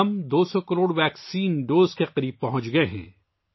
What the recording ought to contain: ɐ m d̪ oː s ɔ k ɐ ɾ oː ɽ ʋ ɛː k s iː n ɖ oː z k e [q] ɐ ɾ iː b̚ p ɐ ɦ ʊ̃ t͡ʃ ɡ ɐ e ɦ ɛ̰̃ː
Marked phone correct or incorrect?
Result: correct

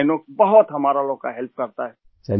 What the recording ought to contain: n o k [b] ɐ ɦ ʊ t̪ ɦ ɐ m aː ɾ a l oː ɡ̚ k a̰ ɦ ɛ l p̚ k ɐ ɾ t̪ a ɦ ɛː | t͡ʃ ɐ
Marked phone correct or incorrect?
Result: correct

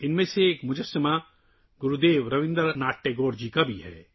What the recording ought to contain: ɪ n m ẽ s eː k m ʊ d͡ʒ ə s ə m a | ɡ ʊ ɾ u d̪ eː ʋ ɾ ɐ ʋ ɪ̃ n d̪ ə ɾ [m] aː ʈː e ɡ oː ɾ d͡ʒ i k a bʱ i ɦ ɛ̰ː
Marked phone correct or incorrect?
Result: incorrect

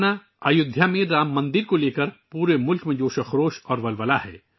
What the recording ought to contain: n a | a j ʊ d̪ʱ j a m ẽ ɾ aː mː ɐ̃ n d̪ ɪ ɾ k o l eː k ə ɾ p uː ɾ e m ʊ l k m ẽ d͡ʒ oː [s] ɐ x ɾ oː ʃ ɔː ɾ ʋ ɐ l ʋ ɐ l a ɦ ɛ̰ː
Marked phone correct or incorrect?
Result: incorrect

